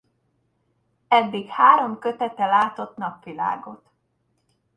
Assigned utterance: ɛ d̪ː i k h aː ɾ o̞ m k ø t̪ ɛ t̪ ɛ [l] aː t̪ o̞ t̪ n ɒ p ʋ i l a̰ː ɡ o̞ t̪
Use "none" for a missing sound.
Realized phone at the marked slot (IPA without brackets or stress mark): l